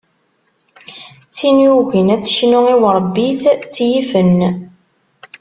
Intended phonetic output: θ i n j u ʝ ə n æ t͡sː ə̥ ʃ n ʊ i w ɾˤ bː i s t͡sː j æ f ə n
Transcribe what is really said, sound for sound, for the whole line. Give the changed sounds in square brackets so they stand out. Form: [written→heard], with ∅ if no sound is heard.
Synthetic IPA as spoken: θ i n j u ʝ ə n æ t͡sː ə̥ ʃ n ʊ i w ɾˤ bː i [s→θ] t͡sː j [æ→i] f ə n